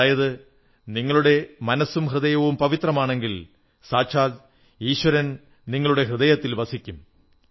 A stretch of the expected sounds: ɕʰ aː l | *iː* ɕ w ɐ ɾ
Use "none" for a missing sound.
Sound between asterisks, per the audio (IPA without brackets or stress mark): iː